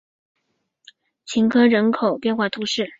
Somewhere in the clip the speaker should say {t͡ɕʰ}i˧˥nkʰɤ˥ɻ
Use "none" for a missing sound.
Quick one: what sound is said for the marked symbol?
t͡ɕʰ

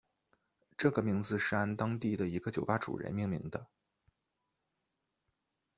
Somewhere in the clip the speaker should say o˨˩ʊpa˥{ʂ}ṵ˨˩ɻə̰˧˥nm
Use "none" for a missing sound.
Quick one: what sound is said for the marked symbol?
ʈ͡ʂ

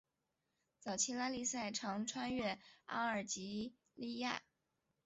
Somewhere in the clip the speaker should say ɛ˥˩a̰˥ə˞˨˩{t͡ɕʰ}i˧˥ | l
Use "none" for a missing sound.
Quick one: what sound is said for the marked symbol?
t͡ɕ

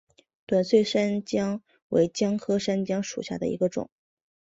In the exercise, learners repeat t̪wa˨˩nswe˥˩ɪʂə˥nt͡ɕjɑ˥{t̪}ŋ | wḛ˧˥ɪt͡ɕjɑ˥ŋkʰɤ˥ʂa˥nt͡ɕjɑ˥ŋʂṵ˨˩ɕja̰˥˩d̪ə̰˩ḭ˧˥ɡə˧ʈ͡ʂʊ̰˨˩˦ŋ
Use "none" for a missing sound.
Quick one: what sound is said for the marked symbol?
none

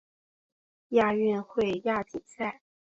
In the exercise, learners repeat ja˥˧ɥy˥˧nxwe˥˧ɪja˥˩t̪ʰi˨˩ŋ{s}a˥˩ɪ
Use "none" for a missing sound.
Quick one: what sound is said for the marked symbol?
s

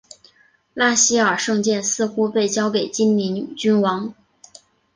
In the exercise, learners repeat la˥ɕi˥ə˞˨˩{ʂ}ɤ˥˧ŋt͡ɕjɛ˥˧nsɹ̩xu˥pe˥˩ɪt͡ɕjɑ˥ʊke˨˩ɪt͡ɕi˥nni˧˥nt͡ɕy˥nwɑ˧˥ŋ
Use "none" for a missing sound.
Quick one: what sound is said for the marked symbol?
ʂ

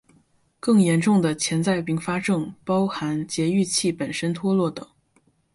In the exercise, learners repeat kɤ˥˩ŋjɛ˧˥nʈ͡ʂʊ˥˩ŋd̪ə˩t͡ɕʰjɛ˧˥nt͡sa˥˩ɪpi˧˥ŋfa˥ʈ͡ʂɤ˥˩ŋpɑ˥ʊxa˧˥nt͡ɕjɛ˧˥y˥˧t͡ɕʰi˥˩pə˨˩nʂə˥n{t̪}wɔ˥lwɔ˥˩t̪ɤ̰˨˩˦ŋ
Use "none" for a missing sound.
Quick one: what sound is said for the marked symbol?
t̪ʰ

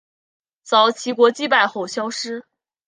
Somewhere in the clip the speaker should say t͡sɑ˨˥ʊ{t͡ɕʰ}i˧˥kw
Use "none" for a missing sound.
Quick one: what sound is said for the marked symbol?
t͡ɕʰ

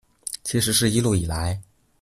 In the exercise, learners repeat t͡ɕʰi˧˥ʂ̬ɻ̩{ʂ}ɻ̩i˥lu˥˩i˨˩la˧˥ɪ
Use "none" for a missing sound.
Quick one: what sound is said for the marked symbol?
ʂ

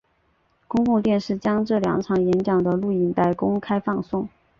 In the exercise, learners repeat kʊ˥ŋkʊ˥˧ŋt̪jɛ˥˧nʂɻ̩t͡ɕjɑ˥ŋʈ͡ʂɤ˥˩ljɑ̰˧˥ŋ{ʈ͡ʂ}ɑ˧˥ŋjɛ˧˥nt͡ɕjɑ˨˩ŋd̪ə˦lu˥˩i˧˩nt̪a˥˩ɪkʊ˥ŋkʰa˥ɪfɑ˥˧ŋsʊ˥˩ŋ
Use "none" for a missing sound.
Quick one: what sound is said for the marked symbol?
ʈ͡ʂʰ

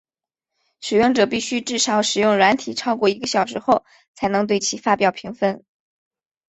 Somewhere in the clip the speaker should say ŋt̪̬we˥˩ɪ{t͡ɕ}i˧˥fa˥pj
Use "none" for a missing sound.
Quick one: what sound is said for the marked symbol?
t͡ɕʰ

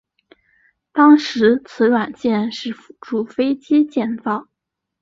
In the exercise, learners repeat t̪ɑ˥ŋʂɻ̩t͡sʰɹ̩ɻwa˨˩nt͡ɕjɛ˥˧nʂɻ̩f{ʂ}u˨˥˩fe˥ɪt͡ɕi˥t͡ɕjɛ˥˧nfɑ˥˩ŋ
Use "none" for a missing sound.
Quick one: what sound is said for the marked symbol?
ʈ͡ʂ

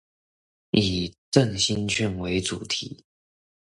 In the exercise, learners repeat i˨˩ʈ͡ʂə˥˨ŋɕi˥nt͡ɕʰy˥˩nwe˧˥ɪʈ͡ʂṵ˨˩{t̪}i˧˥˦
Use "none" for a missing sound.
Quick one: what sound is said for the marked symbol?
t̪ʰ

